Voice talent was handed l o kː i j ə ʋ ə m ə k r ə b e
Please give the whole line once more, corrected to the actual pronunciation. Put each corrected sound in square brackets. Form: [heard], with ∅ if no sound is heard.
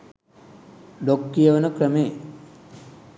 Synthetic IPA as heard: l o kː i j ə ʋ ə [n] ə k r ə [m] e